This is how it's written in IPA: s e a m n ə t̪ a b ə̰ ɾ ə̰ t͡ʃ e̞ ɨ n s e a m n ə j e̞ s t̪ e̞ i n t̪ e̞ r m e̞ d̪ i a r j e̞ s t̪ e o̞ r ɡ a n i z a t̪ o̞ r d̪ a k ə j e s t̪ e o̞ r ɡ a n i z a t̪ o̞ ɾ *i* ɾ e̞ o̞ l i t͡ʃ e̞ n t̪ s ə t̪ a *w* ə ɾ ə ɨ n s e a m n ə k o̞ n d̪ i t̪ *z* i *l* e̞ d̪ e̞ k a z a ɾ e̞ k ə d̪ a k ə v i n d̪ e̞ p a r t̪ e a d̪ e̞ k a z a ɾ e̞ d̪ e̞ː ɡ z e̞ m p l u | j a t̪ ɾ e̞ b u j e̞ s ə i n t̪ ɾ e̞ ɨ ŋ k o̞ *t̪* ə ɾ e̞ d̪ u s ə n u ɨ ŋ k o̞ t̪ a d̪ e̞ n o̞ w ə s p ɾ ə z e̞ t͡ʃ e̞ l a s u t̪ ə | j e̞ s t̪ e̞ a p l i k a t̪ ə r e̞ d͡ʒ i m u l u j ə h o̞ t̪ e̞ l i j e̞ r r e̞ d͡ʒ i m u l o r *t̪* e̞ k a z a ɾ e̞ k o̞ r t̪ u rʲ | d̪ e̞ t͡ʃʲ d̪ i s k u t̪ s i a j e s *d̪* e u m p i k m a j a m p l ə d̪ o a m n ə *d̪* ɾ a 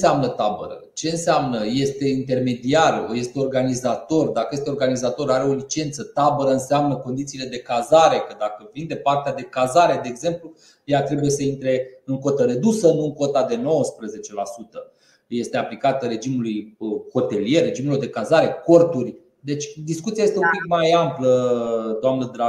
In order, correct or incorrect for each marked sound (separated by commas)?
incorrect, incorrect, incorrect, correct, correct, incorrect, incorrect, correct